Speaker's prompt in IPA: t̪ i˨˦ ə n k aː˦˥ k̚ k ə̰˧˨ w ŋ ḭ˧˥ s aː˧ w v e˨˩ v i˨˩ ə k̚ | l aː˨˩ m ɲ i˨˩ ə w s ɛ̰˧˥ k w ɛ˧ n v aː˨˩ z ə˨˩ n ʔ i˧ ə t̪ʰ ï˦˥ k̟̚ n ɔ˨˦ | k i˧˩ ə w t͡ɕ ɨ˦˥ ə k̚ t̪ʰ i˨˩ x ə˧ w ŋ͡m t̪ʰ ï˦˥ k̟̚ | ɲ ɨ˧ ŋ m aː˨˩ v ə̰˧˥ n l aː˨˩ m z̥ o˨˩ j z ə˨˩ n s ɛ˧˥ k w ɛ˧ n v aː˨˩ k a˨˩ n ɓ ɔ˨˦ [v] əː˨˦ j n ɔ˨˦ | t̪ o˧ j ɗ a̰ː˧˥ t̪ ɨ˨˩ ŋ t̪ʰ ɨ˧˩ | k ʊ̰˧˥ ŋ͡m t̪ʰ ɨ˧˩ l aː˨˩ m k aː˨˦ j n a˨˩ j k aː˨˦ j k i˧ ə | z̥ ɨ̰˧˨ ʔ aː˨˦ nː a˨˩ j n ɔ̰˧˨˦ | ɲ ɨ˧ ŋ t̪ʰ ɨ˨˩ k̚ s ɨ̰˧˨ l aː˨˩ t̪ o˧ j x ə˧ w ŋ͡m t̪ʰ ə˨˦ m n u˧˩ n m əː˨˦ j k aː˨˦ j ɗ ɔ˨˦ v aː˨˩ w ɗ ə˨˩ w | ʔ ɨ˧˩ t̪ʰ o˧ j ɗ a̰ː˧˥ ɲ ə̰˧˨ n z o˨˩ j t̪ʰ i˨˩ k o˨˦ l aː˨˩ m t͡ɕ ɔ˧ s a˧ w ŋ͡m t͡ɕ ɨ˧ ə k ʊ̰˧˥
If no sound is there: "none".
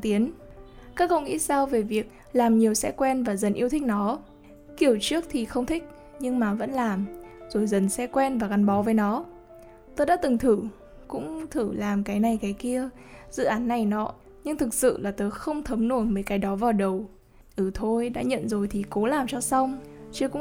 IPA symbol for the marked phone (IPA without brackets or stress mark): v